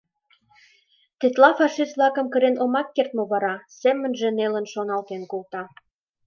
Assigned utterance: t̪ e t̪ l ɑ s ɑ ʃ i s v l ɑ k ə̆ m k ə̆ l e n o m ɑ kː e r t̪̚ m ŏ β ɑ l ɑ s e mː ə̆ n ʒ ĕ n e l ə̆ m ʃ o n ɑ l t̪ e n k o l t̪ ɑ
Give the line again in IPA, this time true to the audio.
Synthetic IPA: t̪ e t̪ l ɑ f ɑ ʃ i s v l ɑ k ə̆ m k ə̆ ɾ e n o m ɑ kː e r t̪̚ m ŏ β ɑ ɾ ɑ s e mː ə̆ n ʒ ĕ n e l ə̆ n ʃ o n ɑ l t̪ e n k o l t̪ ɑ

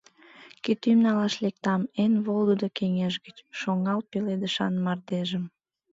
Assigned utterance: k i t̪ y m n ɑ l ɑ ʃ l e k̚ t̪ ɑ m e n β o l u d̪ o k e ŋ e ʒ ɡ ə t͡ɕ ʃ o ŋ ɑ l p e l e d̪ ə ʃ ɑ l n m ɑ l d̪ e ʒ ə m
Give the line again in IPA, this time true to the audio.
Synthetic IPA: k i t̪ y m n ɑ l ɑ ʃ l e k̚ t̪ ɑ m e n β o l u d̪ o k e ŋ e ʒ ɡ ə t͡ɕ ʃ o ŋ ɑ l p e l e d̪ ə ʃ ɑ n m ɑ r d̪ e ʒ ə m

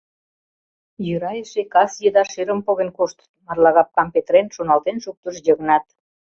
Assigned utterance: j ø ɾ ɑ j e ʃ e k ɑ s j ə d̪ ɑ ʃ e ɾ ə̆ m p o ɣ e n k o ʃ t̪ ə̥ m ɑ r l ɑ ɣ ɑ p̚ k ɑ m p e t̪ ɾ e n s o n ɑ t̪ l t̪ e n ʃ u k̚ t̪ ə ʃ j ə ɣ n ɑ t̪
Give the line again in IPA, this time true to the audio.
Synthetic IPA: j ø ɾ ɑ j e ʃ e k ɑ s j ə d̪ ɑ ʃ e ɾ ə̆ m p o ɣ e n k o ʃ t̪ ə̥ m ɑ r l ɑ ɣ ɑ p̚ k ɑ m p e t̪ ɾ e n ʃ o n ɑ l t̪ e n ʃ u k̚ t̪ ə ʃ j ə ɣ n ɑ t̪

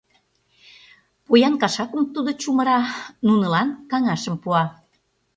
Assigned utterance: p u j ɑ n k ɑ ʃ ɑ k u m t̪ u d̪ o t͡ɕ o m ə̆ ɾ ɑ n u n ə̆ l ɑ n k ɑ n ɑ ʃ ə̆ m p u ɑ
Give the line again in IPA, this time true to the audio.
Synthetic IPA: p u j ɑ n k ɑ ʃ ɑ k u m t̪ u d̪ o t͡ɕ u m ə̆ ɾ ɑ n u n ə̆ l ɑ n k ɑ ŋ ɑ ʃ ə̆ m p u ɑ

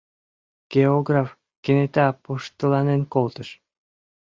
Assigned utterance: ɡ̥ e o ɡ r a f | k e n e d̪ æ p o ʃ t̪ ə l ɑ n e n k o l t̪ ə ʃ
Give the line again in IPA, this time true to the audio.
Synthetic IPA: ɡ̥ e o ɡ r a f | k e n e t̪ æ p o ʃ t̪ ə l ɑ n e n k o l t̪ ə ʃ

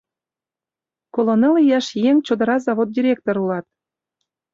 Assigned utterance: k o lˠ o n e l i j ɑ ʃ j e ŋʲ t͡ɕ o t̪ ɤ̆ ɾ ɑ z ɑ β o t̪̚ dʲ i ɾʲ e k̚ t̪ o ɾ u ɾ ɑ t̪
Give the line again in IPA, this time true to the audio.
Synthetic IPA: k o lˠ o n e l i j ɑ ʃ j e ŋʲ t͡ɕ o d̪ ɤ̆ ɾ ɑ z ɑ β o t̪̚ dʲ i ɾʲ e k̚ t̪ o ɾ u l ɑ t̪

